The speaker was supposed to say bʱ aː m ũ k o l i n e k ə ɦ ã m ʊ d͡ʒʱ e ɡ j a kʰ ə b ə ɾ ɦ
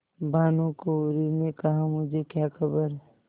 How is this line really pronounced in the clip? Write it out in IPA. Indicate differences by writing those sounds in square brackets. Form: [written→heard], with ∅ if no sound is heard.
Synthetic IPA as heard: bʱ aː [m→n] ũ k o [l→ɾ] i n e k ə ɦ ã m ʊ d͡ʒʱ e [ɡ→k] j a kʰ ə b ə ɾ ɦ